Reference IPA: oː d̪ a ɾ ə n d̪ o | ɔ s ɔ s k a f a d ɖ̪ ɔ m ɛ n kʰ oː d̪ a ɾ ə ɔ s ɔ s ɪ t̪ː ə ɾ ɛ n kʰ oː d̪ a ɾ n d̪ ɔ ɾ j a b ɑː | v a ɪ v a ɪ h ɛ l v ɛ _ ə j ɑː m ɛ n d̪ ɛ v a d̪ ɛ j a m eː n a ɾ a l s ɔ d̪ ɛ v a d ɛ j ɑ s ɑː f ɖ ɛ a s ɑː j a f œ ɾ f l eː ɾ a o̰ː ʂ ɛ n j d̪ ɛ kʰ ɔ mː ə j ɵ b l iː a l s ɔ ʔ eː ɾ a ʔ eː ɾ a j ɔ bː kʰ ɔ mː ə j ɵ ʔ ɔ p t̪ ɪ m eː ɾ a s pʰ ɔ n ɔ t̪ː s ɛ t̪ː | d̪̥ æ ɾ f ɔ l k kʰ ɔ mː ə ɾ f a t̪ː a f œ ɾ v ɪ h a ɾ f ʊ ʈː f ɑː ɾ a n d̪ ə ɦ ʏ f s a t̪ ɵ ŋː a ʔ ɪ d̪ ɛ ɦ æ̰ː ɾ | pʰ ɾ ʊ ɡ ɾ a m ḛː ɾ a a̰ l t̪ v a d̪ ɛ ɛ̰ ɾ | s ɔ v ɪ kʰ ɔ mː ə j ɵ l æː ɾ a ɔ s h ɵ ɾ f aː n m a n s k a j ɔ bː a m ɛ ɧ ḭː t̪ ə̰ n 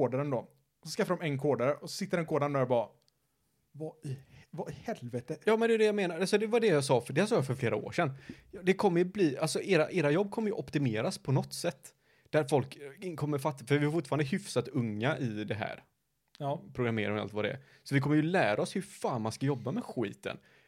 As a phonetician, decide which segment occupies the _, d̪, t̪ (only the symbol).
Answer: t̪